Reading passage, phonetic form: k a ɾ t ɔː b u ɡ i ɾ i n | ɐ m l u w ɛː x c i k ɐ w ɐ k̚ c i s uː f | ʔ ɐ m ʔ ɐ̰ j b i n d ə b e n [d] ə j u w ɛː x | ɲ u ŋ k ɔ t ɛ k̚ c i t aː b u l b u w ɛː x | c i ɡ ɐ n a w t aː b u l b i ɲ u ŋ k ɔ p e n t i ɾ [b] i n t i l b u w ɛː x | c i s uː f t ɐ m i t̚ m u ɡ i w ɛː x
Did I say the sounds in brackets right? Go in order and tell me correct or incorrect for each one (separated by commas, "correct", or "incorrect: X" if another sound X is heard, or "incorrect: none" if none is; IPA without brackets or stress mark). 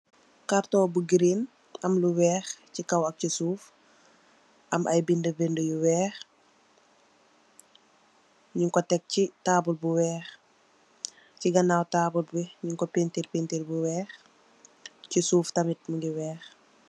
correct, incorrect: p